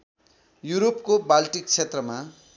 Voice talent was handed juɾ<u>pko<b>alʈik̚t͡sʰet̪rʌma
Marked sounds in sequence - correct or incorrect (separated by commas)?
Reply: incorrect, correct